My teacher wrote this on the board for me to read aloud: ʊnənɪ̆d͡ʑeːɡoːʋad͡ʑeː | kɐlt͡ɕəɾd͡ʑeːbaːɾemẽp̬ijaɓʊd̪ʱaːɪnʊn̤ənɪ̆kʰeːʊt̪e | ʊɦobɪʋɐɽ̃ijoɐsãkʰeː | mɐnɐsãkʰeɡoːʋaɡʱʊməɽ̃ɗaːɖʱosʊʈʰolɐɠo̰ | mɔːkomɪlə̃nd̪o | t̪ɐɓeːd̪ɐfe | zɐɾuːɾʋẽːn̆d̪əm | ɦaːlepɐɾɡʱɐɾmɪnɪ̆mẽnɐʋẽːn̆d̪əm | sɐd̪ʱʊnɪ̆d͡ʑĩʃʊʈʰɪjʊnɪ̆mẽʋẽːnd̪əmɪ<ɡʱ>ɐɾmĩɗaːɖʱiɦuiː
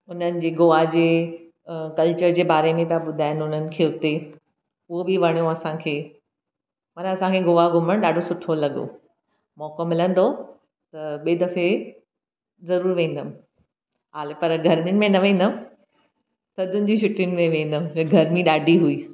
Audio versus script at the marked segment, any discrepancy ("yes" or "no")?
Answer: no